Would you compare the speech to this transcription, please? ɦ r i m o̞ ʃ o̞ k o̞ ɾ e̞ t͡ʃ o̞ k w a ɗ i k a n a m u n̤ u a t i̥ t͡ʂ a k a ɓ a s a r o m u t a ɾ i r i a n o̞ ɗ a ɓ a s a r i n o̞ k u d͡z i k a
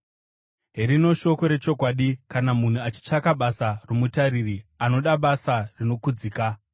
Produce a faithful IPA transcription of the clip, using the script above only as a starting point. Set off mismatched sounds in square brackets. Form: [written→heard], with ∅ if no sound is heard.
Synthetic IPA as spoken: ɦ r i [m→n] o̞ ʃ o̞ k o̞ ɾ e̞ t͡ʃ o̞ k w a ɗ i k a n a m u n̤ u a [t→t͡ʃ] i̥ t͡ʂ a k a ɓ a s a r o m u t a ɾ i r i a n o̞ ɗ a ɓ a s a r i n o̞ k u d͡z i k a